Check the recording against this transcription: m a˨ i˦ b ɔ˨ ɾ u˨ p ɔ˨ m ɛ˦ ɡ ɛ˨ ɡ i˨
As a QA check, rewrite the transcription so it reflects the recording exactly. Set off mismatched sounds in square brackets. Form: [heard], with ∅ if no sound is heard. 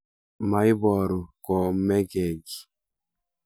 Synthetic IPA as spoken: m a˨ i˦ b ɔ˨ ɾ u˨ [k] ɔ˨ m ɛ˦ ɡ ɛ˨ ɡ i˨